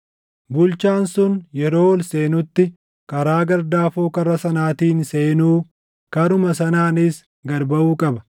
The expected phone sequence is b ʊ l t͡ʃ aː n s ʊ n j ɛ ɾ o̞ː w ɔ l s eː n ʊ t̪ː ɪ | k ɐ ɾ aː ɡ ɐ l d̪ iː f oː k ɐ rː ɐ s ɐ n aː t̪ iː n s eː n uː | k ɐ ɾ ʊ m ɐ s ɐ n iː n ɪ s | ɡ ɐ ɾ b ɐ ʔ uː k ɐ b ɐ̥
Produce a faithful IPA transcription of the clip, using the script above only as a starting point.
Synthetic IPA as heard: b ʊ l t͡ʃ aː n s ʊ n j ɛ ɾ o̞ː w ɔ l s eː n ʊ t̪ː ɪ | k ɐ ɾ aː ɡ ɐ ɾ d̪ aː f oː k ɐ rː ɐ s ɐ n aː t̪ iː n s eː n uː | k ɐ ɾ ʊ m ɐ s ɐ n aː n ɪ s | ɡ ɐ ɾ b ɐ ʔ uː kʼ ɐ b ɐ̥